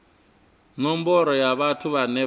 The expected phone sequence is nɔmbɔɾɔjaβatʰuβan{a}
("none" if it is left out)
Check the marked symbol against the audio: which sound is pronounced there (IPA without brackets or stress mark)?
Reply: ɛ